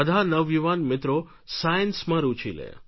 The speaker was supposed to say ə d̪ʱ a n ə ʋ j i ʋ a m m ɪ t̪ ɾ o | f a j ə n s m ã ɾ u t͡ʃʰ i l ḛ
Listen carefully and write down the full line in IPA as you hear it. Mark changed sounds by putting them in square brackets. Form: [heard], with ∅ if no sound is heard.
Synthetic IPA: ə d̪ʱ a n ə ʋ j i ʋ a [n] m ɪ t̪ ɾ o | [s] a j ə n s m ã ɾ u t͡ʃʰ i l ḛ